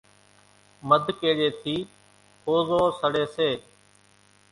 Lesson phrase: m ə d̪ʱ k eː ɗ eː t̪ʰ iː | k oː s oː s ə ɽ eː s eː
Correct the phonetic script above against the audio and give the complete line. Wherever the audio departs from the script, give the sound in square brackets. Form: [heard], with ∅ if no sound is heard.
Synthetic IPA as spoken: m ə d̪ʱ k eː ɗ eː t̪ʰ iː | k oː [z] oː s ə ɽ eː s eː